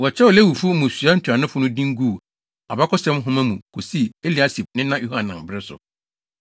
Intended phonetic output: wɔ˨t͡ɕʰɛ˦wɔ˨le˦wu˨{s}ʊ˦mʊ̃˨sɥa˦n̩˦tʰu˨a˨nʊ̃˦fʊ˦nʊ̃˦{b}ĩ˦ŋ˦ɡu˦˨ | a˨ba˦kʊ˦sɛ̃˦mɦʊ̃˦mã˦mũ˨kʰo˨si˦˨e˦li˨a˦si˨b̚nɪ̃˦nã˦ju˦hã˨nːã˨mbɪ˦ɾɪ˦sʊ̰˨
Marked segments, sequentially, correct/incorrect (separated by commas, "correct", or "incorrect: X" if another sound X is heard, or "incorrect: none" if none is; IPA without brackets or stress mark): incorrect: f, incorrect: d